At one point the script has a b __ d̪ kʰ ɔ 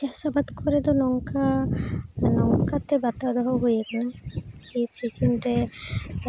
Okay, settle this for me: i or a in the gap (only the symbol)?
a